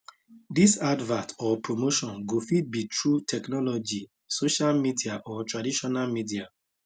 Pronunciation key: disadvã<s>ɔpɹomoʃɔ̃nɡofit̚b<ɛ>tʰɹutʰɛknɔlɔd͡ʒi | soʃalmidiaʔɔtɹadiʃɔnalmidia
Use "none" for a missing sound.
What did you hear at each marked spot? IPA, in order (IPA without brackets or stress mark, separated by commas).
t, i